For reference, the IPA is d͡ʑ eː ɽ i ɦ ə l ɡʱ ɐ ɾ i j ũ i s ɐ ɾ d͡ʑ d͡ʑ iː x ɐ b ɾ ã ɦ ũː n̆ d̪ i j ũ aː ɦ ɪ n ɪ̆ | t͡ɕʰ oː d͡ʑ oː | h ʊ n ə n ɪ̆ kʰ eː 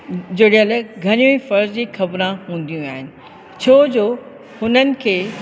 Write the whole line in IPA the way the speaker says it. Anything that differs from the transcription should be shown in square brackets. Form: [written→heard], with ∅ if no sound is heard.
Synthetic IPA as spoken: d͡ʑ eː ɽ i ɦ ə l ɡʱ ɐ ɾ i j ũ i [s→f] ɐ ɾ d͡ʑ d͡ʑ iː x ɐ b ɾ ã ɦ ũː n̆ d̪ i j ũ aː ɦ ɪ n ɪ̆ | t͡ɕʰ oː d͡ʑ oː | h ʊ n ə n ɪ̆ kʰ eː